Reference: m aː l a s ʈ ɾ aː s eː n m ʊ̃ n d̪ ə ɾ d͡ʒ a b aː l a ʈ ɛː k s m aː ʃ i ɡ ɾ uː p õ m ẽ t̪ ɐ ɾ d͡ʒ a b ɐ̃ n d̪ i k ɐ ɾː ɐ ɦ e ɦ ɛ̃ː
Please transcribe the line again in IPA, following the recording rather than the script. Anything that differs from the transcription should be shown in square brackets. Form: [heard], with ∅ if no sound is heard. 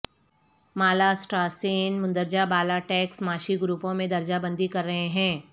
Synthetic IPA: m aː l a s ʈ ɾ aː s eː n m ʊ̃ n d̪ ə ɾ d͡ʒ a b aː l a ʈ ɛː k s m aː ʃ i ɡ ɾ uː p õ m ẽ [d̪] ɐ ɾ d͡ʒ a b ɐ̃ n d̪ i k ɐ ɾː ɐ ɦ e ɦ ɛ̃ː